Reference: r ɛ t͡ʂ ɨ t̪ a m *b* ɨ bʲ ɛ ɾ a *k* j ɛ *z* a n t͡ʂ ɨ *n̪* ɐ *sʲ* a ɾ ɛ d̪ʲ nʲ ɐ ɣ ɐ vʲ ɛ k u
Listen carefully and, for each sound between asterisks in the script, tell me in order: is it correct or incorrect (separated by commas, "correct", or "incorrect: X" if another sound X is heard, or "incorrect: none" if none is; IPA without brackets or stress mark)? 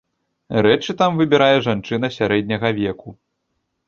incorrect: v, incorrect: none, incorrect: ʐ, correct, correct